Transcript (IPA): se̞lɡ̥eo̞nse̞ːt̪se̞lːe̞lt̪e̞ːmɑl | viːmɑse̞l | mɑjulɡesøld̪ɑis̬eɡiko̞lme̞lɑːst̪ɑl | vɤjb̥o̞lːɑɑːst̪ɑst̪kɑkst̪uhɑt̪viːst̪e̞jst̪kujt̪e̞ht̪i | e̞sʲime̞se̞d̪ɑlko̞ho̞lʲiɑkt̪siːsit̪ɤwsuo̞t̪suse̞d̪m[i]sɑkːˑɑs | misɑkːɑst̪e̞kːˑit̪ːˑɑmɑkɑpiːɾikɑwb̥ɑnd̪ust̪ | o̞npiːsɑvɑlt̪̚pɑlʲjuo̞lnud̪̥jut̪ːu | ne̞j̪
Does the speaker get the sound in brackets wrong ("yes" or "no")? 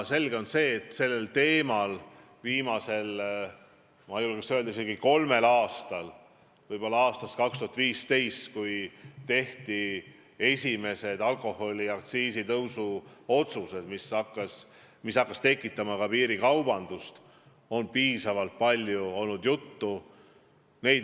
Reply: no